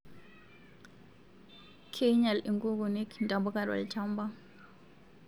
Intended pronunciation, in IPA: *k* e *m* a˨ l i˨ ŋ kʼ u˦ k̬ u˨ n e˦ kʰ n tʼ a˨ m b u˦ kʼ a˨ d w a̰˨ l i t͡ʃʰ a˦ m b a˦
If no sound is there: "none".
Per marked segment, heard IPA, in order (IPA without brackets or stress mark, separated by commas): kʰ, ɲ